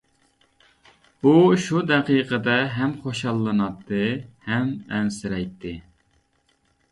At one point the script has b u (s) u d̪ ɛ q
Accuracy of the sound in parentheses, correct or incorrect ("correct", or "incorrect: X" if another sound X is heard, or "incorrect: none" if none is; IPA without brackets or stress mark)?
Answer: incorrect: ʃ